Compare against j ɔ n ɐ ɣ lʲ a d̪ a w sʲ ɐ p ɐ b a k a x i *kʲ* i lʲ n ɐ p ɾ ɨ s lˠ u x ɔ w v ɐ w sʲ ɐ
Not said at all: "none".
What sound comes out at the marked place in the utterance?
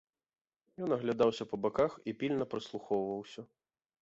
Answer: pʲ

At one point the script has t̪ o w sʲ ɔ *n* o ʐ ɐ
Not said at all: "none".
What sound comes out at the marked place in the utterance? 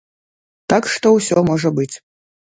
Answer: m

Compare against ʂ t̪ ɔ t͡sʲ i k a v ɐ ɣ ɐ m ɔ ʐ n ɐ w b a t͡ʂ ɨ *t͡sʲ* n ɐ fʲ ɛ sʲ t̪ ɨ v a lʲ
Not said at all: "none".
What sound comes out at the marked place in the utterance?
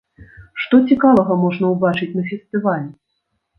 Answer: t͡sʲ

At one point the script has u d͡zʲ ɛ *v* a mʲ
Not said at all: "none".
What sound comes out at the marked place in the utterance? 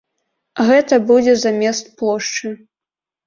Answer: z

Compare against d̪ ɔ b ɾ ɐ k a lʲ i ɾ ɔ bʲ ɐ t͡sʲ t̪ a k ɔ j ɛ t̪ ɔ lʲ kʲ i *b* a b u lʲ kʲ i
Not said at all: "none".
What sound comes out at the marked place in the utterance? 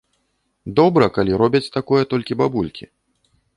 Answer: b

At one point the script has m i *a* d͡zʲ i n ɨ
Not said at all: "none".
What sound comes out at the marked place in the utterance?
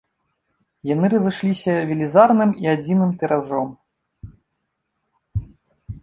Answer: a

